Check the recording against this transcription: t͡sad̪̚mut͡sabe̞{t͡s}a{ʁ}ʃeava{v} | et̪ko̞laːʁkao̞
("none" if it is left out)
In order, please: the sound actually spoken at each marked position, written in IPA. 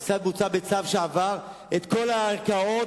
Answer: t͡s, v, ʁ

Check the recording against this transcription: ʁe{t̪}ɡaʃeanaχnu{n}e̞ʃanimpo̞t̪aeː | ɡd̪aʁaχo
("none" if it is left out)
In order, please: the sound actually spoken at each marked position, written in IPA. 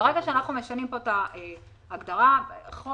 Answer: none, m

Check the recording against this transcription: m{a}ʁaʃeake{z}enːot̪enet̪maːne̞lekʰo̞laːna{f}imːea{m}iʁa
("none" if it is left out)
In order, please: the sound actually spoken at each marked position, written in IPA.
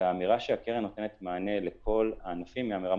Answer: i, ʁ, f, m

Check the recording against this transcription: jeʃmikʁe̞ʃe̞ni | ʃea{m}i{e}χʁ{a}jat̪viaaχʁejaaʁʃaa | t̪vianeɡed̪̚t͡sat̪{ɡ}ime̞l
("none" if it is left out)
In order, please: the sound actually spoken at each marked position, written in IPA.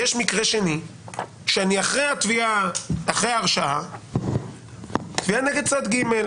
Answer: n, a, e, ɡ

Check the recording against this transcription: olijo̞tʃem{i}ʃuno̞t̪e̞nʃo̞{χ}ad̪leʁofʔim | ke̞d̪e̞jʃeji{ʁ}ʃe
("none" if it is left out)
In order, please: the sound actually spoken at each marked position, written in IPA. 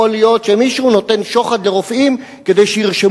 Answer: i, χ, ʁ

